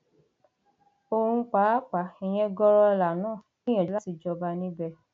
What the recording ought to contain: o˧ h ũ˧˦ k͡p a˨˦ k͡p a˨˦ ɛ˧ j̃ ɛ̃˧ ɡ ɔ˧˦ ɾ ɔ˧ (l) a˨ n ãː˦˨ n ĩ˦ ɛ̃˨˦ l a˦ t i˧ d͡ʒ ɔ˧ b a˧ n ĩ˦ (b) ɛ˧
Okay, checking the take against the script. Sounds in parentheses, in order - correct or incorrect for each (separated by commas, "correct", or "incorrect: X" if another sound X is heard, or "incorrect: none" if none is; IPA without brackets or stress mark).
correct, correct